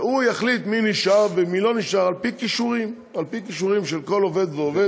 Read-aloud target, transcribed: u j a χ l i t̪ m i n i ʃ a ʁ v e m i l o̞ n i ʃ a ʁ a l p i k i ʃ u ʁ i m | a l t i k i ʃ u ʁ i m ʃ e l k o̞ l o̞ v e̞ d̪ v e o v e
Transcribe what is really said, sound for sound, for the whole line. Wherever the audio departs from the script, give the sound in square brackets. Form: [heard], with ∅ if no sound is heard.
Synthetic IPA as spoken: u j a χ l i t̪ m i n i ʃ a ʁ v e m i l o̞ n i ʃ a ʁ a l p i k i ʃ u ʁ i m | a l [p] i k i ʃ u ʁ i m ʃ e l k o̞ l o̞ v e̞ d̪ v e o v e